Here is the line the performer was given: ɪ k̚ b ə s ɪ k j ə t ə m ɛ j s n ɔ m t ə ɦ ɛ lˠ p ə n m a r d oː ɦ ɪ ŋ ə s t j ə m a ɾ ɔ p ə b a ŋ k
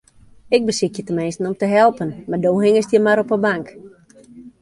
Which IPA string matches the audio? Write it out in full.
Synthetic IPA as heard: ɪ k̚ b ə s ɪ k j ə t ə m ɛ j s n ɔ m t ə ɦ ɛ lˠ p ə n m a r d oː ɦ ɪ ŋ ə s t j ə m a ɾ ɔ p ə b a ŋ k